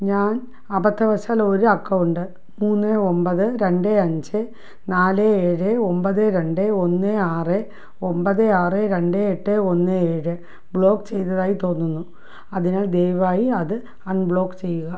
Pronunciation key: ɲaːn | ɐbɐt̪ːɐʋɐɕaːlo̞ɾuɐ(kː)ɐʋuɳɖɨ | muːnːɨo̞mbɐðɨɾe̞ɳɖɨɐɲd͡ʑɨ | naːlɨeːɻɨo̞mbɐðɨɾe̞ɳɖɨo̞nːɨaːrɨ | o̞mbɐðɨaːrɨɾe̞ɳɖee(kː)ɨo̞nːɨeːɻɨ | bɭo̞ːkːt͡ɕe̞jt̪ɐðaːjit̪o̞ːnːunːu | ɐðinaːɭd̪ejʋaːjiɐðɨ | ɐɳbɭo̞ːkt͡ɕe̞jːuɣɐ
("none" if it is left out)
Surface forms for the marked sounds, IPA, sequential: kː, ʈː

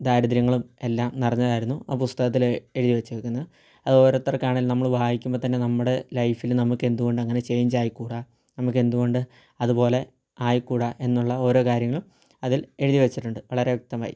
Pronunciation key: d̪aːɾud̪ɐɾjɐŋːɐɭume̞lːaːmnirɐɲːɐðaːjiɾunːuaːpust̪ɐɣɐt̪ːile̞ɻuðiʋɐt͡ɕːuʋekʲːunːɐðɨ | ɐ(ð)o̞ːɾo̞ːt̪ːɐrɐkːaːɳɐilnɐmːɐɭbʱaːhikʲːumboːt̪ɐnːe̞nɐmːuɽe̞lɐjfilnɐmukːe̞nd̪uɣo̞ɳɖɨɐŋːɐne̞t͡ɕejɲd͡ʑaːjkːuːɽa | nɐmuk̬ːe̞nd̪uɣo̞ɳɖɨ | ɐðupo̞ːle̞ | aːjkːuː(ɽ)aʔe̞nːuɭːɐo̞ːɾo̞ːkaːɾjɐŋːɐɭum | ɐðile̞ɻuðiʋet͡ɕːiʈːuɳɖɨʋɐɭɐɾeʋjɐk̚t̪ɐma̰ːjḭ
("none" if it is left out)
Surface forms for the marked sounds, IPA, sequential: ð, ɽ

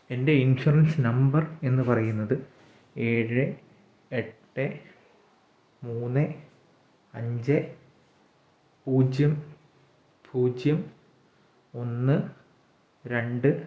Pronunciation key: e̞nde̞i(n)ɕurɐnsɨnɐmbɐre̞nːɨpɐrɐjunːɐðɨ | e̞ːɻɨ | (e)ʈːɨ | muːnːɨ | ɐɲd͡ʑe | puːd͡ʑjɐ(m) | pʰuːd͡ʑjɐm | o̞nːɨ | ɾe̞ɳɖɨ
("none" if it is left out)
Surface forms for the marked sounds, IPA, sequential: n, e, m

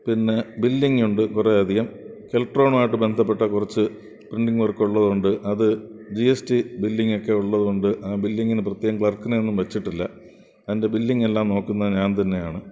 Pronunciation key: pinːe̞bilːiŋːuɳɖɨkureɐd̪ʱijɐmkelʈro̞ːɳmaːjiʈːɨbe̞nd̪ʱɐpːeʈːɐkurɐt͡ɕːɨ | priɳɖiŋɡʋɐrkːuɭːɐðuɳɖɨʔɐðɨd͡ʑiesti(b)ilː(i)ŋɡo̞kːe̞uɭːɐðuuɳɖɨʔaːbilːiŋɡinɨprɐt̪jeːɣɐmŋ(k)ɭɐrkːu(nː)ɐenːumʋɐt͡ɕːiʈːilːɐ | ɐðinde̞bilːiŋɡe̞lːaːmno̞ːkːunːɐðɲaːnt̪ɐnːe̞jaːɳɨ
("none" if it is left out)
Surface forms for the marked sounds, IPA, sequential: b, i, k, n

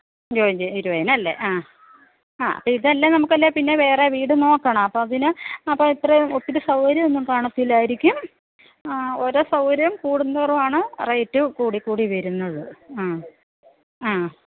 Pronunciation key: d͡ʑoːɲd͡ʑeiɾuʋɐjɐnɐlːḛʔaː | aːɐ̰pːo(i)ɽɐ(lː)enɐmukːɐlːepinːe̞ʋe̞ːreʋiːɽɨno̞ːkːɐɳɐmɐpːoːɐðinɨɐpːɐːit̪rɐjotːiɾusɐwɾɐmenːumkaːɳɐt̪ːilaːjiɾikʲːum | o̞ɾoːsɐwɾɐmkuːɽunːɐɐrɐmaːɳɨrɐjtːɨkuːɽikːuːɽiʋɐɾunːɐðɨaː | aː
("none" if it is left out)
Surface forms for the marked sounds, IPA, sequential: i, lː

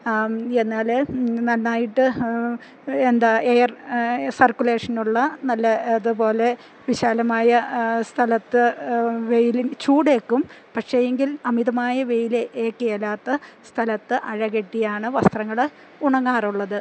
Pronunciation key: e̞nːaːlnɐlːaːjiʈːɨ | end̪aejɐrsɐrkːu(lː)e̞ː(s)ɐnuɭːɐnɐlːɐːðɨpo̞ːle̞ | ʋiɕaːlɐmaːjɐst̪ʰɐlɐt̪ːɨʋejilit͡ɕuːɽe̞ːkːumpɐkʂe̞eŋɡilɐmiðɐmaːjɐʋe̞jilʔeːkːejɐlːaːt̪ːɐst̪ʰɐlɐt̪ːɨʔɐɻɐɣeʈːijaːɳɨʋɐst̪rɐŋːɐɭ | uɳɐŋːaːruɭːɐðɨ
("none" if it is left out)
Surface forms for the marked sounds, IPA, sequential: l, ʂ

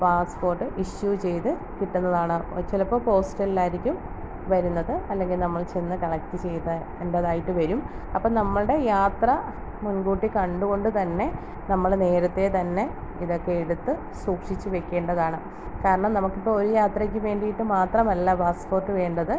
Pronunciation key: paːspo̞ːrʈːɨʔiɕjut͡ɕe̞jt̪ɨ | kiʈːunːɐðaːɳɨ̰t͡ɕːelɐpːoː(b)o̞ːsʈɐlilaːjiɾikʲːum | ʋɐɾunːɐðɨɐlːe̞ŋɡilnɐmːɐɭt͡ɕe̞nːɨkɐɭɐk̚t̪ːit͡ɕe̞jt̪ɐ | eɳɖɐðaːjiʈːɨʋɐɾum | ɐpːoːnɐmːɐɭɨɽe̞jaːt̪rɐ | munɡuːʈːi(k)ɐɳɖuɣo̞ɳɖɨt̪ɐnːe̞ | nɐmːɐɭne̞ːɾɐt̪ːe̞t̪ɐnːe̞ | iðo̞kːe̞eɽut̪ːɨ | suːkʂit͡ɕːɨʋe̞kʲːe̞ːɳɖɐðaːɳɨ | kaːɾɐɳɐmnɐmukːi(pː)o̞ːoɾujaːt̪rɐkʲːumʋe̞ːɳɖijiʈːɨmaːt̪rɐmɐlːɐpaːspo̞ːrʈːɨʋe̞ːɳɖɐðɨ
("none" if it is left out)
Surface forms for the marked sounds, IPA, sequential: p, k, pː

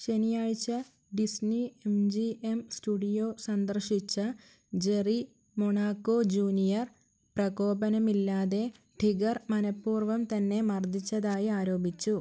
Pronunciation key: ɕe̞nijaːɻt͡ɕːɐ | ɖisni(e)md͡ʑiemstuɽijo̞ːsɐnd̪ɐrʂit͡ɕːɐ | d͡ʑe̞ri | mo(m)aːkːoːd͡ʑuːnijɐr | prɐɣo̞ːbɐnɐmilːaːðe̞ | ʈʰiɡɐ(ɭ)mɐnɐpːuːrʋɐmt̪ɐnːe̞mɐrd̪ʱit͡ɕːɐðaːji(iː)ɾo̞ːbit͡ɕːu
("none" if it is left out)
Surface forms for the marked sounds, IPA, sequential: e, ɳ, r, aː

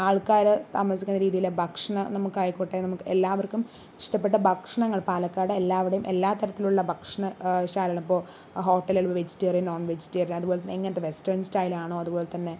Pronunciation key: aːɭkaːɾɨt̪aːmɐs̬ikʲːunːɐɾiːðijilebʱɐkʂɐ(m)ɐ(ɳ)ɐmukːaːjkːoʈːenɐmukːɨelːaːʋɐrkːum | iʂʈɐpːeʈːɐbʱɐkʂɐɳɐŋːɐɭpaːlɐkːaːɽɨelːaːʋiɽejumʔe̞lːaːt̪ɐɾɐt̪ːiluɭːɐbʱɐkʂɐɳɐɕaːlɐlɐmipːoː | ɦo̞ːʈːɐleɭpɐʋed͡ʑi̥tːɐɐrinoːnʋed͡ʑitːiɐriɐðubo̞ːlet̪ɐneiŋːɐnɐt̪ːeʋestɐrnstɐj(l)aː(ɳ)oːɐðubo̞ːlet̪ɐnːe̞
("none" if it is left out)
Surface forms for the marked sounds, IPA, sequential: ɳ, n, l, ɳ

